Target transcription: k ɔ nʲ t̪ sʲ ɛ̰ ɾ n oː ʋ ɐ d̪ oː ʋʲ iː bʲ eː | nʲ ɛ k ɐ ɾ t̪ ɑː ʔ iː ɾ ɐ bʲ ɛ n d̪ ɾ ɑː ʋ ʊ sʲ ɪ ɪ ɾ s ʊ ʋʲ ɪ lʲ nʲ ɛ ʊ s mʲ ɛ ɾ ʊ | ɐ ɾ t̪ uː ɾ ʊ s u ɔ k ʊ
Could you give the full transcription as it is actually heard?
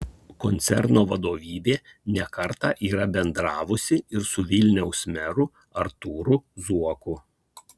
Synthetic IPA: k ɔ nʲ t̪ sʲ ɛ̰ ɾ n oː ʋ ɐ d̪ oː ʋʲ iː bʲ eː | nʲ ɛ k ɐ ɾ t̪ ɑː ʔ iː ɾ ɐ bʲ ɛ n d̪ ɾ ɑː ʋ ʊ sʲ ɪ ɪ ɾ s ʊ ʋʲ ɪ lʲ nʲ ɛ ʊ s mʲ ɛ ɾ ʊ | ɐ ɾ t̪ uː ɾ ʊ z u ɔ k ʊ